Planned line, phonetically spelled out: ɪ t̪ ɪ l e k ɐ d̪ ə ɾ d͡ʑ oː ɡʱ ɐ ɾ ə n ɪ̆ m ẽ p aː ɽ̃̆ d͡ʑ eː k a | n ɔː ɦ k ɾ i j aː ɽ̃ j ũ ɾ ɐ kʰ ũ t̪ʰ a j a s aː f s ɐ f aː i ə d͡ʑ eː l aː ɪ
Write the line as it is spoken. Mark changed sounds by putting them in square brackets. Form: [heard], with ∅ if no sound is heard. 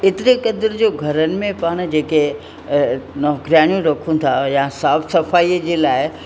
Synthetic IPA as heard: ɪ t̪ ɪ [ɾ] e k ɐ d̪ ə ɾ d͡ʑ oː ɡʱ ɐ ɾ ə n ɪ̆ m ẽ p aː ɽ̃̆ d͡ʑ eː k [e] | n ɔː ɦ k ɾ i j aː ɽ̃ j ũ ɾ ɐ kʰ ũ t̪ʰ a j a s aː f s ɐ f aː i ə d͡ʑ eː l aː ɪ